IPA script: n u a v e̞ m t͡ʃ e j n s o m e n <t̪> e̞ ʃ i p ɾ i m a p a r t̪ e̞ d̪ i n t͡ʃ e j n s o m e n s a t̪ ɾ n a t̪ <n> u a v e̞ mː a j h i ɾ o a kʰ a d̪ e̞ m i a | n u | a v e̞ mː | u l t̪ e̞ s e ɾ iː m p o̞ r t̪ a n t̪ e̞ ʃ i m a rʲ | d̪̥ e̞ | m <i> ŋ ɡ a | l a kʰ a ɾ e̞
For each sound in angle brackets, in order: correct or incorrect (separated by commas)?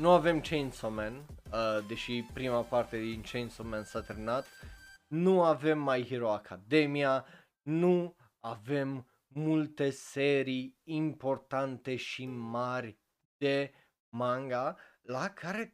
incorrect, correct, incorrect